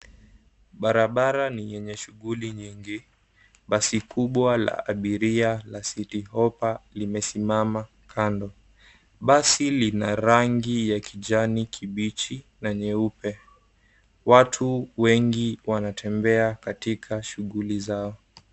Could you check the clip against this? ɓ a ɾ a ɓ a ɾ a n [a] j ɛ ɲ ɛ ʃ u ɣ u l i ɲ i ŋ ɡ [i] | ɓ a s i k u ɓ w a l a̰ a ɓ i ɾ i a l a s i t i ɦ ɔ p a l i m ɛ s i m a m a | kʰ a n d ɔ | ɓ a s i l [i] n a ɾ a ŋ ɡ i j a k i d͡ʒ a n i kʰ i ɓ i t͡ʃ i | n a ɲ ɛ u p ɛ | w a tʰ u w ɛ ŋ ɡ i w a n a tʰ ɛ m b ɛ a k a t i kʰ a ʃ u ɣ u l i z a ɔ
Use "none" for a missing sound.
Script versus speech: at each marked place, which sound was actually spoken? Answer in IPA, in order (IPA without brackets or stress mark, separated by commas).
i, i, i